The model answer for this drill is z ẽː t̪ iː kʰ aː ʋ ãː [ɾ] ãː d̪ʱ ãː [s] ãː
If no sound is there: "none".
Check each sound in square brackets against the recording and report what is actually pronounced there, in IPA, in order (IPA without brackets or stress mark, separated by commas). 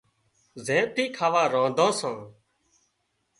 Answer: ɾ, s